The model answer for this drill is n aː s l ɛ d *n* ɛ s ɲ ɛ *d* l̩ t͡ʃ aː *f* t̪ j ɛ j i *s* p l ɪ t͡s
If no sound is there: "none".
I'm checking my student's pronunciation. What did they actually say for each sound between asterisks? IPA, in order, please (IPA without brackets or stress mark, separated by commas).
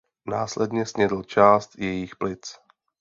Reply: ɲ, d, s, x